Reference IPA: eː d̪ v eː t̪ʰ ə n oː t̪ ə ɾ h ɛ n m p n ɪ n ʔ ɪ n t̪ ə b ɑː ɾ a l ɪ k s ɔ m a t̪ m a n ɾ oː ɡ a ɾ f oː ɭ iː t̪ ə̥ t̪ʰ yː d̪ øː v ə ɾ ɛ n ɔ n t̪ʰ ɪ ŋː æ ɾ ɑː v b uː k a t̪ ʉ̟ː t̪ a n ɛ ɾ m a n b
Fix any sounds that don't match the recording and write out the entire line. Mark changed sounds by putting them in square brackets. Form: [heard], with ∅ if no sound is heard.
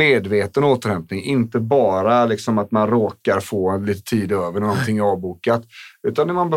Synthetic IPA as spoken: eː d̪ v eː [t̪] ə n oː t̪ ə ɾ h ɛ [∅] m p n ɪ [ŋ] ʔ ɪ n t̪ ə b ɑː ɾ a l ɪ k s ɔ m a t̪ m a n ɾ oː [k] a ɾ f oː [l] iː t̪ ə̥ t̪ʰ [iː] d̪ øː v ə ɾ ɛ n ɔ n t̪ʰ ɪ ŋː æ ɾ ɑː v b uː k a t̪ ʉ̟ː t̪ a n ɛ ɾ m a n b